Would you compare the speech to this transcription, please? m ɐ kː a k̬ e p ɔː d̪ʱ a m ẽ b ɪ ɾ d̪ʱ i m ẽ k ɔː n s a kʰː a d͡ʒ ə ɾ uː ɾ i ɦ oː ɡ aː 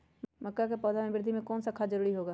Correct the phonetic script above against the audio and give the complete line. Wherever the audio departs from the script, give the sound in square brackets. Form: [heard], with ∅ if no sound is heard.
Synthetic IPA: m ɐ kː a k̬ e p ɔː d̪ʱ a m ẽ b ɪ ɾ d̪ʱ i m ẽ k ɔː n s a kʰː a d͡ʒ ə ɾ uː ɾ i ɦ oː ɡ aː